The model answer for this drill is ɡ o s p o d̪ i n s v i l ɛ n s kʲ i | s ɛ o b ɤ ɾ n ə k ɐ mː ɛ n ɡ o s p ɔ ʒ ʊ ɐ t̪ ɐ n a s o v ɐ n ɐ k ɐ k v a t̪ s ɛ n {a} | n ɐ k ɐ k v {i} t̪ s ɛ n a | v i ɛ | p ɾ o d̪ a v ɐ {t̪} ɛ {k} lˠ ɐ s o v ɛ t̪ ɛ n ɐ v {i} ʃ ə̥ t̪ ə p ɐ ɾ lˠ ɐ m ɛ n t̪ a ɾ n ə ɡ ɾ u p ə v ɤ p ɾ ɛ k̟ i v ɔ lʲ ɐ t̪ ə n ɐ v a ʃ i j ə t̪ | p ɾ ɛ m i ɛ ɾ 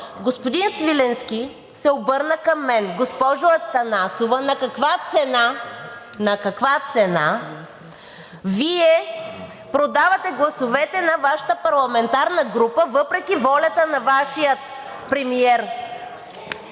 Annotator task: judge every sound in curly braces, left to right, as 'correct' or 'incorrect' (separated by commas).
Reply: correct, incorrect, correct, incorrect, incorrect